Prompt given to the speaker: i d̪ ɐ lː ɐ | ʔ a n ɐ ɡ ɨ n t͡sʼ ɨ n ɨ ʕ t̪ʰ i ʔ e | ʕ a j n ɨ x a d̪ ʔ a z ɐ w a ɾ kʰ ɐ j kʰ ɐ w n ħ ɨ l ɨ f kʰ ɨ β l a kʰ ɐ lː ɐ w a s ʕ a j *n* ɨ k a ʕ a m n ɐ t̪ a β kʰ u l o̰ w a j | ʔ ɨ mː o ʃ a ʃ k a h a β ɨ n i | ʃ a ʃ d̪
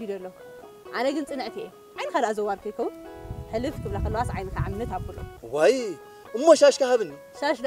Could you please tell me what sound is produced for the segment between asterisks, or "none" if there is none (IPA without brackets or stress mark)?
n